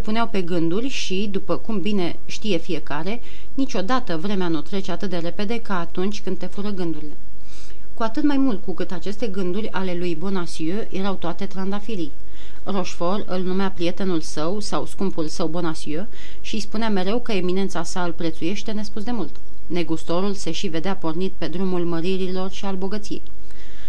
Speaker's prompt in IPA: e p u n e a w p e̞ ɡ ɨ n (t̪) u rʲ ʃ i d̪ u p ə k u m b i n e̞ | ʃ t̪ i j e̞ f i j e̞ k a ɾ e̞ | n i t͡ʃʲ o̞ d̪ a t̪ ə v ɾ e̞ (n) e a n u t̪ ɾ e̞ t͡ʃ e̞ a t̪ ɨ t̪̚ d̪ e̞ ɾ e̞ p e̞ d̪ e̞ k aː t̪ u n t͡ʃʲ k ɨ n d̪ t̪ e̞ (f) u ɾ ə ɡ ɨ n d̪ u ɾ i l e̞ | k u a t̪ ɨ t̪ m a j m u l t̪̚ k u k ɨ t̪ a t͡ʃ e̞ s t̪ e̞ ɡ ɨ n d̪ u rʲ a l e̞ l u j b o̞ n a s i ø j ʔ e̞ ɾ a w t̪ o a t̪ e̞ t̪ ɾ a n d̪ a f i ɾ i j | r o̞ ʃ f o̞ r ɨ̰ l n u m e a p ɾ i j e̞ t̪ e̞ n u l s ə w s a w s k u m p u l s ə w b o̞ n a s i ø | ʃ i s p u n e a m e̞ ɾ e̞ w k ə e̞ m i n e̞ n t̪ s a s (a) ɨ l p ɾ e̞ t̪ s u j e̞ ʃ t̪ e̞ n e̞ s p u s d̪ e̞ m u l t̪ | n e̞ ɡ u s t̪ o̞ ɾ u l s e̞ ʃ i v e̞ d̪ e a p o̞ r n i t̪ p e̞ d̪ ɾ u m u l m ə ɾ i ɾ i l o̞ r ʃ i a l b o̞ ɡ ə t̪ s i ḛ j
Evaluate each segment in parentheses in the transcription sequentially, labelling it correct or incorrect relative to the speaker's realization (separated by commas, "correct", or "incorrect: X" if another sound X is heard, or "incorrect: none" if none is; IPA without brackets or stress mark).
incorrect: d̪, incorrect: m, correct, correct